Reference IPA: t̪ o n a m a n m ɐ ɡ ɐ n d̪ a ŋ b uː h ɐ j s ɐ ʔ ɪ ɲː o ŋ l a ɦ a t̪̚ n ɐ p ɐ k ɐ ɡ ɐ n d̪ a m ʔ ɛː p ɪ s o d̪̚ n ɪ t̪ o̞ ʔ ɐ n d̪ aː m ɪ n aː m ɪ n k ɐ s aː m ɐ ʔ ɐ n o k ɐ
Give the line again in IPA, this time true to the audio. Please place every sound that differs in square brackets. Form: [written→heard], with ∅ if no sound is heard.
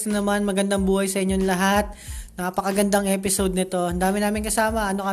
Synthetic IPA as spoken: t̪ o n [a→ɐ] m a n m ɐ ɡ ɐ n d̪ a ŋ b uː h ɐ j s ɐ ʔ ɪ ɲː o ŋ l [a→ɐ] ɦ a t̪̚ n ɐ p ɐ k ɐ ɡ ɐ n d̪ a [m→ŋ] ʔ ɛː p ɪ s o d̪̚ n ɪ t̪ o̞ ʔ ɐ n d̪ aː m ɪ n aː m ɪ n k ɐ s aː m ɐ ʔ ɐ n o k ɐ